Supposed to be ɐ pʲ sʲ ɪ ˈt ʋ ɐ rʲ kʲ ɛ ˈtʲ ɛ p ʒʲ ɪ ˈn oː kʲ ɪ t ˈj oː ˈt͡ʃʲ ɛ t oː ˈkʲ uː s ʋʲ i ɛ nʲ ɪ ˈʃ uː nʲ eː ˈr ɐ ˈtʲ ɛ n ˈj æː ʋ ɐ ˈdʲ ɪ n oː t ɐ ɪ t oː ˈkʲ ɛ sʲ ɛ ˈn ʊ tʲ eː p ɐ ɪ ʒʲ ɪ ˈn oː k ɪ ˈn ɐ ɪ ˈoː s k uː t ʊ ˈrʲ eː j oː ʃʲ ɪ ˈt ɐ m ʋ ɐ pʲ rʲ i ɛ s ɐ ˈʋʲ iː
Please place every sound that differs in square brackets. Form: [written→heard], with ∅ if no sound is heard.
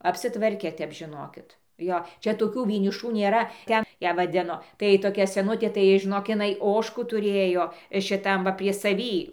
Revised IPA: ɐ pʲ sʲ ɪ ˈt ʋ ɐ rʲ kʲ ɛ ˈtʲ ɛ p ʒʲ ɪ ˈn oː kʲ ɪ t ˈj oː ˈt͡ʃʲ ɛ t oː ˈkʲ uː [s→∅] ʋʲ i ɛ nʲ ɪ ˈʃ uː nʲ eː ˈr ɐ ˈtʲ ɛ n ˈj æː ʋ ɐ ˈdʲ ɪ n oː t ɐ ɪ t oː ˈkʲ ɛ sʲ ɛ ˈn ʊ tʲ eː [p→t] ɐ ɪ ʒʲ ɪ ˈn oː k ɪ ˈn ɐ ɪ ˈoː [s→ʃ] k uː t ʊ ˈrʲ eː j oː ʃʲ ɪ ˈt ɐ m ʋ ɐ pʲ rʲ i ɛ s ɐ ˈʋʲ iː